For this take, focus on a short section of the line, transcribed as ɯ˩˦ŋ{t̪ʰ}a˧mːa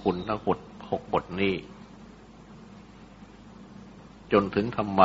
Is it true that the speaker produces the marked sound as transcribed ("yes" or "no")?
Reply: yes